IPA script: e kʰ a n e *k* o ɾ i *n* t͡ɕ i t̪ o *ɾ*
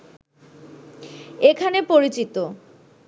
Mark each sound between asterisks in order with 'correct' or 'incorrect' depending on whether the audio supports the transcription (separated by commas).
incorrect, incorrect, incorrect